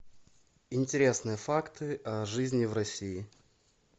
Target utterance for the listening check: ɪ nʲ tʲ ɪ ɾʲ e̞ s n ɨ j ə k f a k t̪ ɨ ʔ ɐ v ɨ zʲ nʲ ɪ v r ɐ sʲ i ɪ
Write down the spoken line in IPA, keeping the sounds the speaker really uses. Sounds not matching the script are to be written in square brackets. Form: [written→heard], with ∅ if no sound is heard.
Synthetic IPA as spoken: ɪ nʲ tʲ ɪ ɾʲ e̞ s n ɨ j ə [k→∅] f a k t̪ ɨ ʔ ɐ [v→ʐ] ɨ zʲ nʲ ɪ v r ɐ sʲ i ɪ